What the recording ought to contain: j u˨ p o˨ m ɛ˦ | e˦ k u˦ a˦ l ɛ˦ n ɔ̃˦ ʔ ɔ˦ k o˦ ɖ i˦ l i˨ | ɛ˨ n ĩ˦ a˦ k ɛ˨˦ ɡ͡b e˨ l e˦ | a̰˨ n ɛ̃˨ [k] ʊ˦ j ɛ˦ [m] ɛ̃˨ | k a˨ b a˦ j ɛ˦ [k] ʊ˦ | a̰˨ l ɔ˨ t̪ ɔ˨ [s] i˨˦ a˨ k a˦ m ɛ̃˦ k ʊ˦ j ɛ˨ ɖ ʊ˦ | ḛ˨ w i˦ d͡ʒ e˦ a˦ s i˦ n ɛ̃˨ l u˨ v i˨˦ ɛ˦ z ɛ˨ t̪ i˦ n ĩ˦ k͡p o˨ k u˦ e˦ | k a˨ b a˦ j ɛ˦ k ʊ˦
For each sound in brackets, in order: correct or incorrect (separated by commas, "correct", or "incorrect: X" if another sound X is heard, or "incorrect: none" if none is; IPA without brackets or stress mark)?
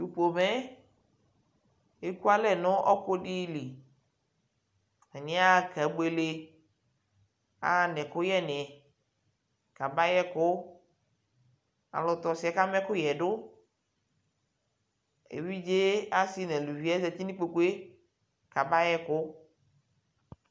correct, incorrect: n, correct, correct